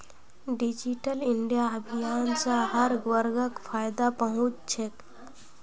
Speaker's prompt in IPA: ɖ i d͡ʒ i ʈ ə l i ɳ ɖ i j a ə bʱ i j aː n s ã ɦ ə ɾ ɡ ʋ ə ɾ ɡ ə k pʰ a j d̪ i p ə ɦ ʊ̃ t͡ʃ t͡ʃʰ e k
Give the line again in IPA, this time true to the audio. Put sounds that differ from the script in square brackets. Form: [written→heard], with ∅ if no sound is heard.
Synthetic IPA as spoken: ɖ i d͡ʒ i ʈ ə l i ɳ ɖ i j a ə bʱ i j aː n s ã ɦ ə ɾ ɡ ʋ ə ɾ ɡ ə k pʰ a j d̪ [i→a] p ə ɦ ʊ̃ t͡ʃ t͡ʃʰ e k